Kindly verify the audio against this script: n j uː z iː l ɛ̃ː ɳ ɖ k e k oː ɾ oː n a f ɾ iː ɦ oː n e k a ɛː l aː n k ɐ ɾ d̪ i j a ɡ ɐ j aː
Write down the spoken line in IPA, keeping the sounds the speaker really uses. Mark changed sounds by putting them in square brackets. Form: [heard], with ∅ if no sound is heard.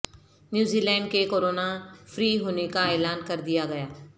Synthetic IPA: n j uː z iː l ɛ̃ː ɳ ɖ k e k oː ɾ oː n a f ɾ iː ɦ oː n e k a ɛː l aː n k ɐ ɾ d̪ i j a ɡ ɐ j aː